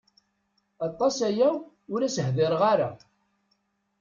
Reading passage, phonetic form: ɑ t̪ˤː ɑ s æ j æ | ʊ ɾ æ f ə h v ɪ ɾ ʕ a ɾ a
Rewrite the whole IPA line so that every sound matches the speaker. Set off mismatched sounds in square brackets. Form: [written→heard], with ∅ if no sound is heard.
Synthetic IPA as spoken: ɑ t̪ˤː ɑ s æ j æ | ʊ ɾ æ [f→s] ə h [v→ð] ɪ ɾ [ʕ→ʁ] a ɾ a